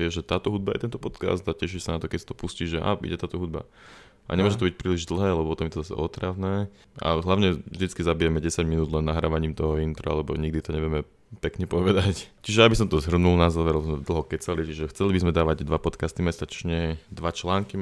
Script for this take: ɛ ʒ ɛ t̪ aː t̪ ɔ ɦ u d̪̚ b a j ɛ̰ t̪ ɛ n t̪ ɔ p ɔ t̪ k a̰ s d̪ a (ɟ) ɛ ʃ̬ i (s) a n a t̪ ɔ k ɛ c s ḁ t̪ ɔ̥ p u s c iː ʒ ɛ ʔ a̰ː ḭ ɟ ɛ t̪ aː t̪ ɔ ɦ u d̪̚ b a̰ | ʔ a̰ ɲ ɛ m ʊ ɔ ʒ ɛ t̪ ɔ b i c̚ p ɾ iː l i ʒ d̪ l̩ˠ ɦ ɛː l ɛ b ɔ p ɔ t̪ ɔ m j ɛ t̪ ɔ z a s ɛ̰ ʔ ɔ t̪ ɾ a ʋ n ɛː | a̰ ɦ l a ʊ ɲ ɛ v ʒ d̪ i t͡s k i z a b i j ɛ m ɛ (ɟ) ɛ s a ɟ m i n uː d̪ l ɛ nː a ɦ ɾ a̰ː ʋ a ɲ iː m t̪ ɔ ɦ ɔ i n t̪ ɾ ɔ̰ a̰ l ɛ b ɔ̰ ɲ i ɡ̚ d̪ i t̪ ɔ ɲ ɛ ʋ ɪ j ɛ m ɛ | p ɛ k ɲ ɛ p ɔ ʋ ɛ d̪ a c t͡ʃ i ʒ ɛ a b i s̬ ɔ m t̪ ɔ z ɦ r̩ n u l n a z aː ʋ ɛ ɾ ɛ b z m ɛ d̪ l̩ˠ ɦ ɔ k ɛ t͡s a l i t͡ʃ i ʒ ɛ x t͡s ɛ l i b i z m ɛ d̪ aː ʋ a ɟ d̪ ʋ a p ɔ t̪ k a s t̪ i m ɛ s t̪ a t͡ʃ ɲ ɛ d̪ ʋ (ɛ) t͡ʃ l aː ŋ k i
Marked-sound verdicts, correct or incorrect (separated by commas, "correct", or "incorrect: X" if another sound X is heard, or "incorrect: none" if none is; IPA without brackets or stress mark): incorrect: c, correct, correct, incorrect: a